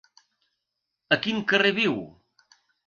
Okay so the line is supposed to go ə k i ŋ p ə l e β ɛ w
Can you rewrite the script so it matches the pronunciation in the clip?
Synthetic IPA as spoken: ə k i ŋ k ə r e β i w

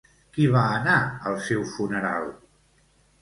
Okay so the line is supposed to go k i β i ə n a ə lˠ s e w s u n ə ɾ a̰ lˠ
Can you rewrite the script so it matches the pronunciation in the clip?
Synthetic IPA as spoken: k i β a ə n a ə lˠ s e w f u n ə ɾ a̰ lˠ

